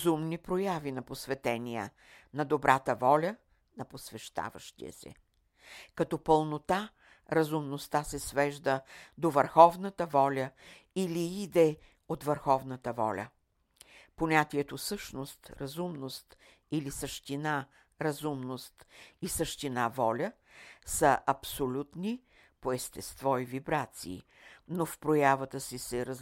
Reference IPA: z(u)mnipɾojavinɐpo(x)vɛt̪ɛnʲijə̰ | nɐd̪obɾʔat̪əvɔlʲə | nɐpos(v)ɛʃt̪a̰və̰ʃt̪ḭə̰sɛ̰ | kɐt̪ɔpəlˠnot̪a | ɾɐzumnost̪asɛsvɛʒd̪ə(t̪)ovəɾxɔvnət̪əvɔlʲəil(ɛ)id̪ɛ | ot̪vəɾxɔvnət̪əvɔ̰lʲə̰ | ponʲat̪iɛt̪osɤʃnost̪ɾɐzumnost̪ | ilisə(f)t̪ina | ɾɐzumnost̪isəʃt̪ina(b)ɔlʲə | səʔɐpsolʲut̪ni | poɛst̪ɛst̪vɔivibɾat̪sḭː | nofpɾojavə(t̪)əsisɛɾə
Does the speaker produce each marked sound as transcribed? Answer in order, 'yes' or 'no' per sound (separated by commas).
yes, no, yes, no, no, no, no, yes